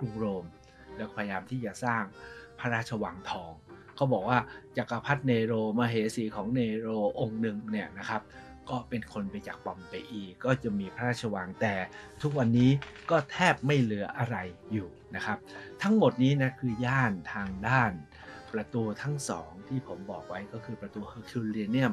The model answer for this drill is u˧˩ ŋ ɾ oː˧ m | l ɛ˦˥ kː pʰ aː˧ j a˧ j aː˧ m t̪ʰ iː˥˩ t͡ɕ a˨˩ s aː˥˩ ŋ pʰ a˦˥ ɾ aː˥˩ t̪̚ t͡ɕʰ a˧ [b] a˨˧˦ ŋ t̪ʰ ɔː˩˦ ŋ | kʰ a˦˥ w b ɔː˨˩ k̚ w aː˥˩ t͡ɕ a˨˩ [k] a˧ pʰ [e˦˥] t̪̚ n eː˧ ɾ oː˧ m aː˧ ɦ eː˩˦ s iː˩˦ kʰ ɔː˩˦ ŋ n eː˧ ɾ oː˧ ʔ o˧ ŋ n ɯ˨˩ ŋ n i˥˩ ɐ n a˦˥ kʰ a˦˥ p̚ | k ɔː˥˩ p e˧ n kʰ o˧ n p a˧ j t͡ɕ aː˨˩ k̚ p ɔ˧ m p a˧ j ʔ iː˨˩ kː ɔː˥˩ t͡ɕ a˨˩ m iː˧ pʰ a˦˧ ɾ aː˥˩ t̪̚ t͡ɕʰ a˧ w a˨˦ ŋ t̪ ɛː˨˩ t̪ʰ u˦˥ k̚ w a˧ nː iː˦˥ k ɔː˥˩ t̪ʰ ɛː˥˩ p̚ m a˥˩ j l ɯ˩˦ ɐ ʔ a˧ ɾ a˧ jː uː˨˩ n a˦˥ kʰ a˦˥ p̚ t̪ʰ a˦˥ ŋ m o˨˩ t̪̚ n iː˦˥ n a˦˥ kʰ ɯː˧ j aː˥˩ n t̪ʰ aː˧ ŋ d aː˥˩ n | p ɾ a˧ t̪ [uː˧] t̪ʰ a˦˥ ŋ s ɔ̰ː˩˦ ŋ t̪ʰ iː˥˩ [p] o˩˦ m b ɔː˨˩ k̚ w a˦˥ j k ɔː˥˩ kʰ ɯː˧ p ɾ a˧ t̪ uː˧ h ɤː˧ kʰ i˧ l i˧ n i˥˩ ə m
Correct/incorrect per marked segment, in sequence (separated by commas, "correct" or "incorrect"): incorrect, correct, incorrect, correct, incorrect